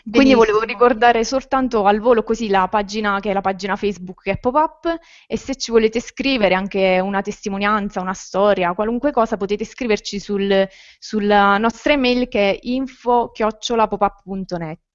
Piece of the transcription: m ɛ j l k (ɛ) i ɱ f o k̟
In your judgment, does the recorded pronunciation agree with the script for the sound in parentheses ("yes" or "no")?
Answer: yes